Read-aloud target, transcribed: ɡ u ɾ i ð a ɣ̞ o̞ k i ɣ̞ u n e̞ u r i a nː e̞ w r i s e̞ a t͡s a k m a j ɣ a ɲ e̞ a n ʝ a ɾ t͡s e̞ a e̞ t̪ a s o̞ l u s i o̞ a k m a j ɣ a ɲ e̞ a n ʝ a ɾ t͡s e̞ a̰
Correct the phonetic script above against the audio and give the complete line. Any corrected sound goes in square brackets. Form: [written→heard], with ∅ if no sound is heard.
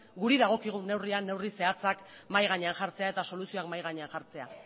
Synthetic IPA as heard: ɡ u ɾ i ð a ɣ̞ o̞ k i ɣ̞ u n e̞ [u→w] r i a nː e̞ w r i s e̞ a t͡s a k m a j ɣ a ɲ e̞ a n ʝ a ɾ t͡s e̞ a e̞ t̪ a s o̞ l u s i o̞ a k m a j ɣ a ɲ e̞ a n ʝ a ɾ t͡s e̞ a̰